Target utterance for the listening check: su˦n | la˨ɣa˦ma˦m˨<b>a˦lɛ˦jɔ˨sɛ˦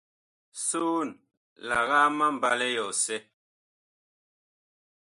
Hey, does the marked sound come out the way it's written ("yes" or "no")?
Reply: yes